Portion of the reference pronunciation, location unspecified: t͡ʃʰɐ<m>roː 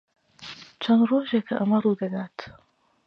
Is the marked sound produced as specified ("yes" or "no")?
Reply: no